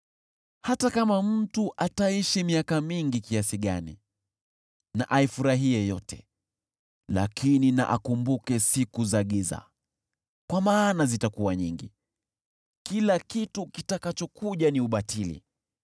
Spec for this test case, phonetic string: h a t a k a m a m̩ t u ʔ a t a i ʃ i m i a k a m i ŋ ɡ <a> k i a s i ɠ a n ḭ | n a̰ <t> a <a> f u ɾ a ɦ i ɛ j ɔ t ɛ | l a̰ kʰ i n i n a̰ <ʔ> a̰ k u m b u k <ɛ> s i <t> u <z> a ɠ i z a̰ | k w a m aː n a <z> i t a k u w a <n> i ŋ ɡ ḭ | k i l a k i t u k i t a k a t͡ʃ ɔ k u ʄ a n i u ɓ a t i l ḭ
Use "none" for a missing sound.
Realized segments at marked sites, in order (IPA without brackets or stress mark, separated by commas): i, ʔ, i, ʔ, ɛ, k, z, z, ɲ